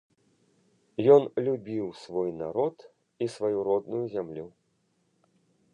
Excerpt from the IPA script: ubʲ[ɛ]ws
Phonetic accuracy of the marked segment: incorrect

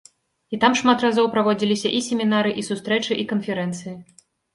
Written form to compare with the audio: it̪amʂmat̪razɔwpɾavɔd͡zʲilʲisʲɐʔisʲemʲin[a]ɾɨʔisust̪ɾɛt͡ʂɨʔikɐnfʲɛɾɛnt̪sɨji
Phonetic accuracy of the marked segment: correct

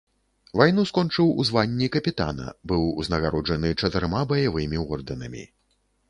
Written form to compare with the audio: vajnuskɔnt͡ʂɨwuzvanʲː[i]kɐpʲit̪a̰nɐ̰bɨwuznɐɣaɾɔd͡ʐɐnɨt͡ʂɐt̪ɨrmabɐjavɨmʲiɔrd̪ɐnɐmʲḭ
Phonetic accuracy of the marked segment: correct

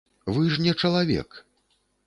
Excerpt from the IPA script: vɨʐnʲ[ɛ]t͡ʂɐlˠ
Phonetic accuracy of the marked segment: correct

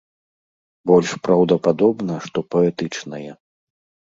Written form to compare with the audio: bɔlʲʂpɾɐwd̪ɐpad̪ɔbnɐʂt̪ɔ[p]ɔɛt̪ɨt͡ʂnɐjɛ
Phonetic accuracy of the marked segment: correct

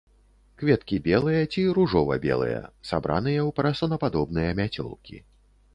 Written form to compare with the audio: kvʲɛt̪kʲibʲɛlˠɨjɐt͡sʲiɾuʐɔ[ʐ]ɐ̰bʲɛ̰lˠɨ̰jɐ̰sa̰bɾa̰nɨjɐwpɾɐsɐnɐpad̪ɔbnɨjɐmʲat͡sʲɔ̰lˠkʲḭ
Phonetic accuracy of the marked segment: incorrect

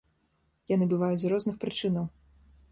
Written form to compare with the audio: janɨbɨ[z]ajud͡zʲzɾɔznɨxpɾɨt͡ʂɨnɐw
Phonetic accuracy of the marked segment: incorrect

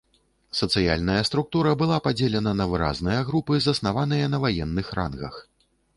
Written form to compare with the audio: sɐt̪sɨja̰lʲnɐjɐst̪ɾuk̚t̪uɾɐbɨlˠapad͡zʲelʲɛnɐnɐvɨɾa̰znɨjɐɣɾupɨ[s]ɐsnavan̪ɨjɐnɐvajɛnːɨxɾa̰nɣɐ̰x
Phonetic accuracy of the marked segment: incorrect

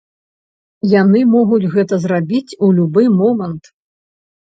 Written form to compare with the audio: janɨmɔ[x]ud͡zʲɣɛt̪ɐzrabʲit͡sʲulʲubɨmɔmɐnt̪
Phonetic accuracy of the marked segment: incorrect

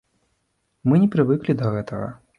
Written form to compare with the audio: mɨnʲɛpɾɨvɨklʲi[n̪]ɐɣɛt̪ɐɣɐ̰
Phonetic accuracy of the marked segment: incorrect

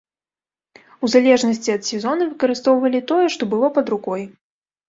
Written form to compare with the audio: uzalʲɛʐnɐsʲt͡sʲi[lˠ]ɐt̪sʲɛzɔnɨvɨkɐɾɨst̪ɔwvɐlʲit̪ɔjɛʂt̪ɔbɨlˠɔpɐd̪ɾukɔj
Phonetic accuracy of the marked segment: incorrect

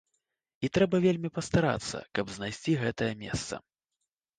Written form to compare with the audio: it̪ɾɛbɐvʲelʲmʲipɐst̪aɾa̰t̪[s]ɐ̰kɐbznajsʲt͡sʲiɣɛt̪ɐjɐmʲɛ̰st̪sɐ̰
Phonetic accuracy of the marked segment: incorrect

